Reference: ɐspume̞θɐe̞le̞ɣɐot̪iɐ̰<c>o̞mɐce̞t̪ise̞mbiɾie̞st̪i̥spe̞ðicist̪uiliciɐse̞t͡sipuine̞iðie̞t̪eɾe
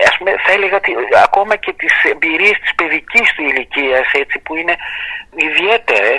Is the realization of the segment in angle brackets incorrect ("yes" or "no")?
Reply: yes